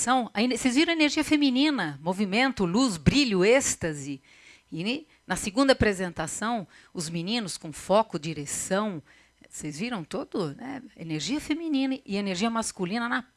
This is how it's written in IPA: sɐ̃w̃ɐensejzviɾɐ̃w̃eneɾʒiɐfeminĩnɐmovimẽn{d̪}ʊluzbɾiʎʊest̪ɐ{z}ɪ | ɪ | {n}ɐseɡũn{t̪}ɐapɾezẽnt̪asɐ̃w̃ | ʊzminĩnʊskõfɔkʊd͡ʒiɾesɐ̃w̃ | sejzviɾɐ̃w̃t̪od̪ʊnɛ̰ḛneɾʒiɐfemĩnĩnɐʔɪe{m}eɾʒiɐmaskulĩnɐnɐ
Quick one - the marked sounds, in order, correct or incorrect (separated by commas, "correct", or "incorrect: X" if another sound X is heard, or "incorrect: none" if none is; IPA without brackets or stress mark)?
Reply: incorrect: t̪, correct, correct, incorrect: d̪, incorrect: n